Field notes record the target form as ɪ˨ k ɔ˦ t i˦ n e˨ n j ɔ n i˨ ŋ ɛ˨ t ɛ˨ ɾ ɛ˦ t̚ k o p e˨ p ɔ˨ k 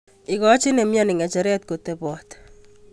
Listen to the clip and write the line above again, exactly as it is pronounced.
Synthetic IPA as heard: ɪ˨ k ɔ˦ t͡ʃ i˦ n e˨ m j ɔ n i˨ ŋ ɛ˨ t͡ʃ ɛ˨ ɾ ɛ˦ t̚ k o t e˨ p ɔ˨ t